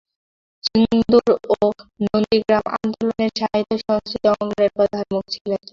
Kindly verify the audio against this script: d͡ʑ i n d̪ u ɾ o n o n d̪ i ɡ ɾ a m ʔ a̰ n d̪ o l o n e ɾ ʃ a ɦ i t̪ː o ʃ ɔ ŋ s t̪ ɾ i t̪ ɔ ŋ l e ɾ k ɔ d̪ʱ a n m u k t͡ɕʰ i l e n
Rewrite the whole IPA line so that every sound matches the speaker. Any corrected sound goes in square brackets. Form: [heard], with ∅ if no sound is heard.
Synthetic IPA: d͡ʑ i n d̪ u ɾ o n o n d̪ i ɡ ɾ a m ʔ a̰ n d̪ o l o n e ɾ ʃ a ɦ i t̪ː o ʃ ɔ ŋ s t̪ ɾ i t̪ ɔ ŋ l e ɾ [p] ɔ d̪ʱ a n m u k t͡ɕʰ i l e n

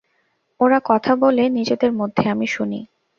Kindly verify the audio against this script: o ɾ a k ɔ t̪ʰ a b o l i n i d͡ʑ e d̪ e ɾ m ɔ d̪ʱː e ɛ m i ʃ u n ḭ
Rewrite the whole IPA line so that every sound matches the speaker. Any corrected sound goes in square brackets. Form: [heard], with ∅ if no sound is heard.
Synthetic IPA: o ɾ a k ɔ t̪ʰ a b o l [e] n i d͡ʑ e d̪ e ɾ m [o] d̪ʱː e [a] m i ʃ u n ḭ

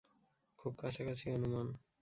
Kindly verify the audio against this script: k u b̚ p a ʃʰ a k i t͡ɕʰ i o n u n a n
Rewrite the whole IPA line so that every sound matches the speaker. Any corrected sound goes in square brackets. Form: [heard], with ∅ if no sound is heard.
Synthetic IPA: [kʰ] u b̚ [k] a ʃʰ a k [a] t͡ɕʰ i o n u [m] a n

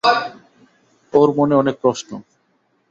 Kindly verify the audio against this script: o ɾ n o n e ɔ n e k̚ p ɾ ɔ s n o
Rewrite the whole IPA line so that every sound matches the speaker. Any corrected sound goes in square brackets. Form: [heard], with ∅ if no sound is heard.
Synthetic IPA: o ɾ [m] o n e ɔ n e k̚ p ɾ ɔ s n o

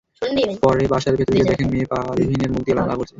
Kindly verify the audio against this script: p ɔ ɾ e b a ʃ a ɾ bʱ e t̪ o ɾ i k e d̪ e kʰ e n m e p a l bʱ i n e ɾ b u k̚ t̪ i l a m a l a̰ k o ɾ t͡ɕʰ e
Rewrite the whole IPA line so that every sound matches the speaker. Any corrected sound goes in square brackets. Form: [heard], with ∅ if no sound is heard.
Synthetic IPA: p ɔ ɾ e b a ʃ a ɾ bʱ e t̪ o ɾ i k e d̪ [ɛ] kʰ e n m e p a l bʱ i n e ɾ [m] u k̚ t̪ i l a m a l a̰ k o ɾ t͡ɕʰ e

